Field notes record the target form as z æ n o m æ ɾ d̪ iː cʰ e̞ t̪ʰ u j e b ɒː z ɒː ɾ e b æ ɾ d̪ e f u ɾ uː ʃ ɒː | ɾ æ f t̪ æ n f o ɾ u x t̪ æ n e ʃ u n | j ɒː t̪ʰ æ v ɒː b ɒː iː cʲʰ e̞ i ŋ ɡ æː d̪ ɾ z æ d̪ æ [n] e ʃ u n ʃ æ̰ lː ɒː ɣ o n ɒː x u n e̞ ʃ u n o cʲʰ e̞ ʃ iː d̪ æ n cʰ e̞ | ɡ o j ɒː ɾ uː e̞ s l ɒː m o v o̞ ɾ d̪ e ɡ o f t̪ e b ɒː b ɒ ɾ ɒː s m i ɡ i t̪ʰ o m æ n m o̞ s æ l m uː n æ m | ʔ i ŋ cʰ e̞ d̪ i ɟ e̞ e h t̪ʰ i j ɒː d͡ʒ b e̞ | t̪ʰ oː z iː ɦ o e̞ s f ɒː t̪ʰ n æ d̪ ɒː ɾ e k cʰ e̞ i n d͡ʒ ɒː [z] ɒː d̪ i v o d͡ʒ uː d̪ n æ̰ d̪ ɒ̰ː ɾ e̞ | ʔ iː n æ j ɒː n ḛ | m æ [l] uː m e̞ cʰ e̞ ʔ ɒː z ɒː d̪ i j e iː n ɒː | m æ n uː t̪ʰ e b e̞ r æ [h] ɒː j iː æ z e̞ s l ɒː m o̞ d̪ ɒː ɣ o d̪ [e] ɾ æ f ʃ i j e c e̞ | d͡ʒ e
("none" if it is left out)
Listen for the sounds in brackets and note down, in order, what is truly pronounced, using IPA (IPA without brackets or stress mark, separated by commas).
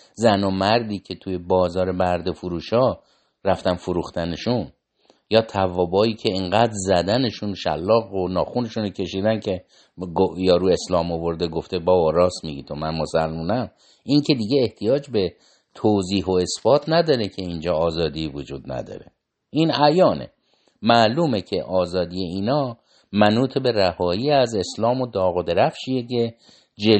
n, z, l, h, e